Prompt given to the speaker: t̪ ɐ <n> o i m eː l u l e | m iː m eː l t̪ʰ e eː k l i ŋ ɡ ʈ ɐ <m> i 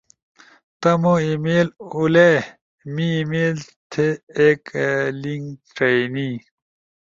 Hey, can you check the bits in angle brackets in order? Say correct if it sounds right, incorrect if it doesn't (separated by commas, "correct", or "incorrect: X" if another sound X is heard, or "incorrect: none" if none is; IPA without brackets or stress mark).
incorrect: m, incorrect: n